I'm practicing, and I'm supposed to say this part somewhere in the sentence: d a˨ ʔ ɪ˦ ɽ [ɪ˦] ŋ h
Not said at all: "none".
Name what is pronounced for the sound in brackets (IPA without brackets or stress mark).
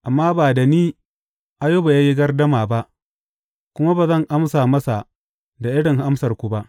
ɪ˨